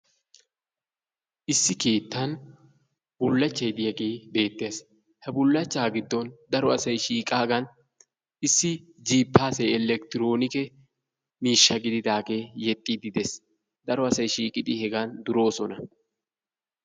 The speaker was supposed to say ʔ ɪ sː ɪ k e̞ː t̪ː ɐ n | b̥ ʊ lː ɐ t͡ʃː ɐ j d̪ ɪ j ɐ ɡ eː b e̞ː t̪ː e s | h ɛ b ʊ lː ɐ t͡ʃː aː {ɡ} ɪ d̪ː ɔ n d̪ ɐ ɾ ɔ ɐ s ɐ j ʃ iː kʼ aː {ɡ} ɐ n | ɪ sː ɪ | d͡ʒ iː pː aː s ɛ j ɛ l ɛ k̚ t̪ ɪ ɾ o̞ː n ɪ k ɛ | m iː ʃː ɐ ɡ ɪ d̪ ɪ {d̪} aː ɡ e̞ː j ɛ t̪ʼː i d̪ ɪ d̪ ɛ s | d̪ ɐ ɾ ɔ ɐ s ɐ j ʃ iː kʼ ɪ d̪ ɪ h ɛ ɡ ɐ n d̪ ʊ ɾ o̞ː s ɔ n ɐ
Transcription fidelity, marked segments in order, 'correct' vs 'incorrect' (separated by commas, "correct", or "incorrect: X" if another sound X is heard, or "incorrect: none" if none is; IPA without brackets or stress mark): correct, correct, correct